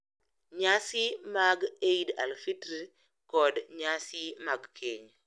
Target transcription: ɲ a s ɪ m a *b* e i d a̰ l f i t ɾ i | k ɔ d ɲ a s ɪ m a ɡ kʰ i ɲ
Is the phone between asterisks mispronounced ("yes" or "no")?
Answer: yes